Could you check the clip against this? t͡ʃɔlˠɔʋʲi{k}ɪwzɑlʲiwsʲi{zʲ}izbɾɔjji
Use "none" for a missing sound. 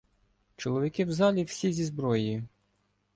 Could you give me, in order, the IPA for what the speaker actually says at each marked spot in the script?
k, zʲ

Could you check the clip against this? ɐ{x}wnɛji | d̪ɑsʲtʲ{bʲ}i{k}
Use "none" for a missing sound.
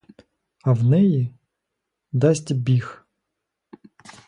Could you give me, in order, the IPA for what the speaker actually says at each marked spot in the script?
none, bʲ, x

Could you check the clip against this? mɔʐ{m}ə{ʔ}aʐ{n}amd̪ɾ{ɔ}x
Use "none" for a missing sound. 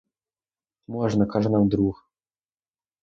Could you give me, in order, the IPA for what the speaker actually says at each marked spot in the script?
n, k, n, u

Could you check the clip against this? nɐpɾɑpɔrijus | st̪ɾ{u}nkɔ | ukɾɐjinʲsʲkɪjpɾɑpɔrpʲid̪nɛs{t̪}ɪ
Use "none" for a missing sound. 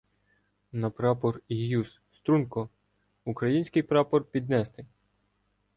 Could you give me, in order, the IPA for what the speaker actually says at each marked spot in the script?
u, t̪

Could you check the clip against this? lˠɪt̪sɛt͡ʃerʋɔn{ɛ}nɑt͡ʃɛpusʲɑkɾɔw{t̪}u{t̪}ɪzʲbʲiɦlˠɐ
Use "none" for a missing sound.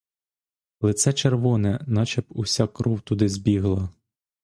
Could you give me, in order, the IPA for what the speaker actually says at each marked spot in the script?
ɛ, t̪, d̪

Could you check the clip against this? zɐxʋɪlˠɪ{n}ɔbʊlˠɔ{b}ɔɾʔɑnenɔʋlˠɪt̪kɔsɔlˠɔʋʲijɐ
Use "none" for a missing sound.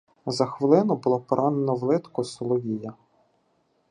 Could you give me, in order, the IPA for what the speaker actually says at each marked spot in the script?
n, p

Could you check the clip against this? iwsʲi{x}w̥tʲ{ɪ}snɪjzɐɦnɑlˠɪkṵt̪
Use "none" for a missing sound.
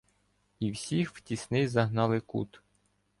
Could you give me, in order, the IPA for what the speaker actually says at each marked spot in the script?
x, i

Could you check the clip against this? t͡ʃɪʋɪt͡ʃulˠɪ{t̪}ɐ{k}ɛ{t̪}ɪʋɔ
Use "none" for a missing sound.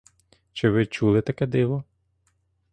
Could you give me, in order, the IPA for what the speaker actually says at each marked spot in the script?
t̪, k, d̪

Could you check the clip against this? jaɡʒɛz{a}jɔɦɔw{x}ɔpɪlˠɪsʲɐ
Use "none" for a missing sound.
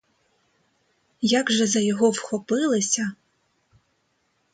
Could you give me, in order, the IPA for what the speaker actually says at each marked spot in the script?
ɐ, x

